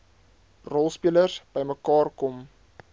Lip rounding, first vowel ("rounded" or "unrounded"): rounded